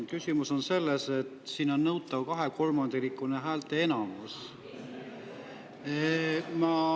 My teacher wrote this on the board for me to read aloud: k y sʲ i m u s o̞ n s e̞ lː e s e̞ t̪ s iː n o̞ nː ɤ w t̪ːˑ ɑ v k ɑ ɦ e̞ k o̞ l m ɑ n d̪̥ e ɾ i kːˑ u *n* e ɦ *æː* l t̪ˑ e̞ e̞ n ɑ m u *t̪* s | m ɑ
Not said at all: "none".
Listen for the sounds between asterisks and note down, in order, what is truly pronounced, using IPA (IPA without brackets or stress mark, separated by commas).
n, æː, none